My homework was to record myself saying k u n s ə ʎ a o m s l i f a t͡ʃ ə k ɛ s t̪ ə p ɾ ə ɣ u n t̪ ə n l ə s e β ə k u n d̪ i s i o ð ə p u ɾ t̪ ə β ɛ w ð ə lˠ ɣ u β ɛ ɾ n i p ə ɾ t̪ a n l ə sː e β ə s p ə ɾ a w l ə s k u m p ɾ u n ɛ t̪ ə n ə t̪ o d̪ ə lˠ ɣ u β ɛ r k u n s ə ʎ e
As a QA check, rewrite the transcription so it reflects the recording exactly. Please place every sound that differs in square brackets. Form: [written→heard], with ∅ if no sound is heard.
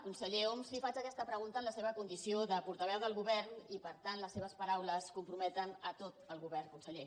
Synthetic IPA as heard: k u n s ə ʎ [a→e] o m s l i f a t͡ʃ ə k ɛ s t̪ ə p ɾ ə ɣ u n t̪ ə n l ə s e β ə k u n d̪ i s i o ð ə p u ɾ t̪ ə β ɛ w ð ə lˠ ɣ u β ɛ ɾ n i p ə ɾ t̪ a n l ə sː e β ə s p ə ɾ a w l ə s k u m p ɾ u [n→m] ɛ t̪ ə n ə t̪ o [d̪→t̪] ə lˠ ɣ u β ɛ r k u n s ə ʎ e